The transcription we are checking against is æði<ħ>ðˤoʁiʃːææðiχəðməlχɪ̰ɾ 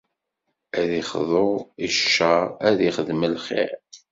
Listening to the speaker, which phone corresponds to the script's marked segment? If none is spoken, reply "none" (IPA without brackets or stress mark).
χ